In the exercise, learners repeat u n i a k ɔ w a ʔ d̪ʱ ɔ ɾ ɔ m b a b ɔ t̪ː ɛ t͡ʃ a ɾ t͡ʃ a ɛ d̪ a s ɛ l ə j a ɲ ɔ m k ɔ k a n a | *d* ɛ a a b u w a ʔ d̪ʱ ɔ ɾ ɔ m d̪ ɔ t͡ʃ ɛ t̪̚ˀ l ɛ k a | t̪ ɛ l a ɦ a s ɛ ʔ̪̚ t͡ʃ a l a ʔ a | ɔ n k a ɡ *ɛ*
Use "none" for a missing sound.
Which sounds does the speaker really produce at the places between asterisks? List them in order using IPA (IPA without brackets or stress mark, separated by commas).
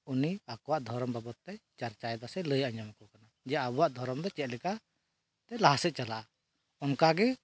d͡ʒ, ɛ